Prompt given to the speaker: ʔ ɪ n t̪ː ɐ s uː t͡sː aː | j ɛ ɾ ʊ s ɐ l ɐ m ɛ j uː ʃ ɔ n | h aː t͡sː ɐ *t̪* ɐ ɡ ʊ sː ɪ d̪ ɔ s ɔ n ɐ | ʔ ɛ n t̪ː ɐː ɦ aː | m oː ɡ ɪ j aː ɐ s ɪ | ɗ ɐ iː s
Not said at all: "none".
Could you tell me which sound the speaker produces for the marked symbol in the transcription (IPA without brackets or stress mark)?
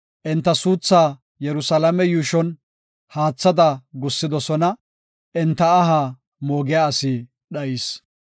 d̪